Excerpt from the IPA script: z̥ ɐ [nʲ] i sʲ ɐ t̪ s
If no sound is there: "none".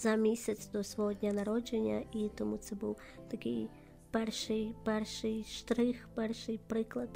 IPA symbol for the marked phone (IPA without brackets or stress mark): mʲ